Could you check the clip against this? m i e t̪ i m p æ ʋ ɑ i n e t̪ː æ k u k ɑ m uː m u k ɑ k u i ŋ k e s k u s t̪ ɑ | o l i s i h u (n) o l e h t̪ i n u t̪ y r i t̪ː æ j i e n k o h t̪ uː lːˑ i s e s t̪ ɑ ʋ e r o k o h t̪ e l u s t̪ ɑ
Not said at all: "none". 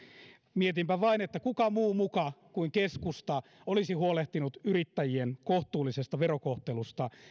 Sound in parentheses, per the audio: none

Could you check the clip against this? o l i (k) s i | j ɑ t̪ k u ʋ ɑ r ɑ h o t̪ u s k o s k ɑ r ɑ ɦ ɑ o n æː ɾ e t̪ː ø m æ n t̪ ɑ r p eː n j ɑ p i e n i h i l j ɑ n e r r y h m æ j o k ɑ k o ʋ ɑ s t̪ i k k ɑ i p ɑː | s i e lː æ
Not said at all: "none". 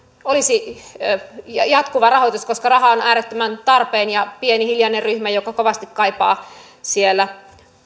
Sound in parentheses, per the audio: none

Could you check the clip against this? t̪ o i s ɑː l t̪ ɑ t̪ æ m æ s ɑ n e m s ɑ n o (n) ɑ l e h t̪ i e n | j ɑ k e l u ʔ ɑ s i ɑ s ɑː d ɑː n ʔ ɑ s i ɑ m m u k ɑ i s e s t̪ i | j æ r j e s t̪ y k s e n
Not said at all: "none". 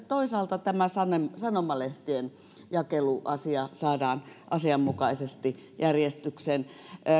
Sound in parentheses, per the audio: m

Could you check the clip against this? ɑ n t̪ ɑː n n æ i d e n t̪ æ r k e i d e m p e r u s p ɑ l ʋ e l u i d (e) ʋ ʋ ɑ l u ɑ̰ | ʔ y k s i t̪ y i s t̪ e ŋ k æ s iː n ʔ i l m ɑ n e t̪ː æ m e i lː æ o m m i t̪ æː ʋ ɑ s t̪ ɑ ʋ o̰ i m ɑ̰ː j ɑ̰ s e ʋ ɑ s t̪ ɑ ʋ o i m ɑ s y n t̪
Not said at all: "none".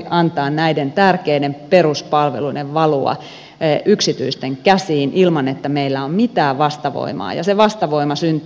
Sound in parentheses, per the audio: e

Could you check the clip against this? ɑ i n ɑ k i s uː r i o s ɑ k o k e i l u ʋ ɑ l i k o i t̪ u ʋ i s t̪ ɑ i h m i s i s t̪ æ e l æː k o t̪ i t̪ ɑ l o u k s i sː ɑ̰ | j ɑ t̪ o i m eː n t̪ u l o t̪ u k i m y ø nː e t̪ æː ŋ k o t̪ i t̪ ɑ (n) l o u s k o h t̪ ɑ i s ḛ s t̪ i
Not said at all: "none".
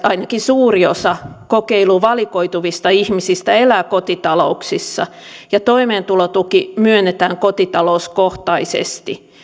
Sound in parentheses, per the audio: none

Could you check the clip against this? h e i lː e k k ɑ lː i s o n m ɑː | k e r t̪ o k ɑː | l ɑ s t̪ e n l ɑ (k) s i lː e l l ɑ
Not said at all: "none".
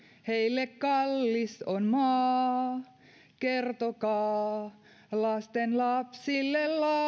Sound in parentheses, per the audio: p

